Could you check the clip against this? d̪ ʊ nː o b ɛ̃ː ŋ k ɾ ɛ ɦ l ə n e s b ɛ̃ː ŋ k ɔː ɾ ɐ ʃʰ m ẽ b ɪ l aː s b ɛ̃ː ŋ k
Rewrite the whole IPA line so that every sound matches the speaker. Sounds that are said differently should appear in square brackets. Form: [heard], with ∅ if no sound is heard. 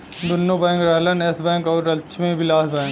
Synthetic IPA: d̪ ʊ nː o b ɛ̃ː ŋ k ɾ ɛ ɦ l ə n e s b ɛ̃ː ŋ k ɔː ɾ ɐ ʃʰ m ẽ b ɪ l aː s b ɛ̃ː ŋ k